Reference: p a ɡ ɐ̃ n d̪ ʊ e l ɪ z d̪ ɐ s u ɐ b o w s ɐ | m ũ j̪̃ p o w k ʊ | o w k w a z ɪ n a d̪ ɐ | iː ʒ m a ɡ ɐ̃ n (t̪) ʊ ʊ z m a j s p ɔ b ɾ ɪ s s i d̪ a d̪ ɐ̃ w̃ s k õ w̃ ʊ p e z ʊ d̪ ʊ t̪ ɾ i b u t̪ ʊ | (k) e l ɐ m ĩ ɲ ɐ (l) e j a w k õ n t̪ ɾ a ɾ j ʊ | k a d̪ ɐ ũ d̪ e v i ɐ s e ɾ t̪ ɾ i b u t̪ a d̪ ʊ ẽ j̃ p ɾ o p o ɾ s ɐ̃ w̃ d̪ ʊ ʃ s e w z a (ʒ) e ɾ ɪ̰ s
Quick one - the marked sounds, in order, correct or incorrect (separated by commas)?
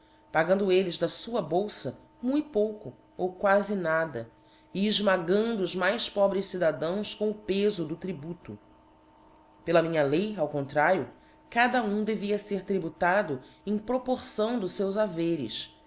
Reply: incorrect, incorrect, correct, incorrect